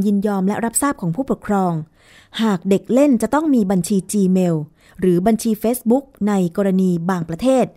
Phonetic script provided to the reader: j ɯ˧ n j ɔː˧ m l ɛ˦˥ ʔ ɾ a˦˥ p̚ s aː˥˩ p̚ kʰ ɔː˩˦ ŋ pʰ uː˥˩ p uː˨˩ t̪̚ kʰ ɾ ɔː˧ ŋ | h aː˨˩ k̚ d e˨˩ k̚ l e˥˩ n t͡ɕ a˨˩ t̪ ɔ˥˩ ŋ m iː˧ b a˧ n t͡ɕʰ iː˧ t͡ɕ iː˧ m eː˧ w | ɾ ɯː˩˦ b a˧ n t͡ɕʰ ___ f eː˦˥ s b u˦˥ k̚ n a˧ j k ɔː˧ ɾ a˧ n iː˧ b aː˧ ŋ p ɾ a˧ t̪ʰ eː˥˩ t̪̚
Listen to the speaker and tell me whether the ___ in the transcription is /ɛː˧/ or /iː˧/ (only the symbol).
iː˧